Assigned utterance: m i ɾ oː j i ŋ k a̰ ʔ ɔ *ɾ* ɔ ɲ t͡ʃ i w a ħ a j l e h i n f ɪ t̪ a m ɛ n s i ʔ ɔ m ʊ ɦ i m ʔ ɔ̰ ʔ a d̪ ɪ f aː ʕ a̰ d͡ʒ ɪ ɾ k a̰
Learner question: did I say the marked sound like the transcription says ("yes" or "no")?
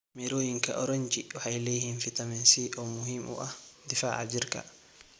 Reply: yes